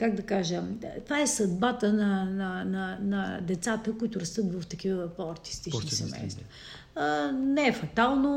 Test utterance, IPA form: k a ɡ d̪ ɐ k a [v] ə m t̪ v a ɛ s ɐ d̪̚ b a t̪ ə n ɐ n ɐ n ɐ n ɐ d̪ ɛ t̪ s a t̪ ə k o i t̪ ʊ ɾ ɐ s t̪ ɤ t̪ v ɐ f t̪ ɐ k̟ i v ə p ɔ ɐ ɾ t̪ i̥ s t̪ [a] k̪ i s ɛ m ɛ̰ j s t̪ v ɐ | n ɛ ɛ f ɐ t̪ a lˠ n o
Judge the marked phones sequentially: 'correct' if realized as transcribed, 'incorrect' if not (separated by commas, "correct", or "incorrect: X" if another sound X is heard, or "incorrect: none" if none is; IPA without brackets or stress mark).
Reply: incorrect: ʒ, incorrect: i